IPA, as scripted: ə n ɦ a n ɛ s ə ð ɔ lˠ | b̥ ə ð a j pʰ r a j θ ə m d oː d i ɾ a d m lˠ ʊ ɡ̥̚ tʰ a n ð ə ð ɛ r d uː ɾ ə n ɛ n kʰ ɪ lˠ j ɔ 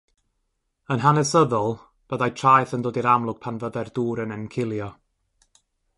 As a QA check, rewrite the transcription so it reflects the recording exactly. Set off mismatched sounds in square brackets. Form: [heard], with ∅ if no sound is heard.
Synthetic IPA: ə n ɦ a n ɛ s ə ð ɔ lˠ | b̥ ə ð a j [tʰ] r a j θ ə [n] d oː d i ɾ a [∅] m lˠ ʊ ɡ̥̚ [pʰ] a n [v] ə ð ɛ r d uː ɾ ə n ɛ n kʰ ɪ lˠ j ɔ